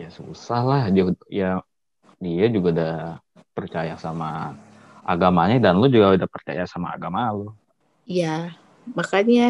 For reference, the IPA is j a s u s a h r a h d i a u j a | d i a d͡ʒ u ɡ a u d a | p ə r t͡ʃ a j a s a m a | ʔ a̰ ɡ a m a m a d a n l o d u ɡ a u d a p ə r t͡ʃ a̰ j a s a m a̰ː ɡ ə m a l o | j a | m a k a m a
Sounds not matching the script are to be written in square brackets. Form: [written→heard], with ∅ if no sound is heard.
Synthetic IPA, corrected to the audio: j a s u s a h [r→l] a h d i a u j a | d i a d͡ʒ u ɡ a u d a | p ə r t͡ʃ a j a s a m a | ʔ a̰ ɡ a m a [m→ɲ] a d a n l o [d→d͡ʒ] u ɡ a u d a p ə r t͡ʃ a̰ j a s a m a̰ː ɡ [ə→a] m a l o | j a | m a k a [m→ɲ] a